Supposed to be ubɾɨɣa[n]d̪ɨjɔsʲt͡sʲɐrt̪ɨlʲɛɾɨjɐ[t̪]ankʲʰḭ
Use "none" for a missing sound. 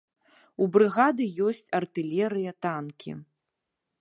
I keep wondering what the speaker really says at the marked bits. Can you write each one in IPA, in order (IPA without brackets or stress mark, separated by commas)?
none, t̪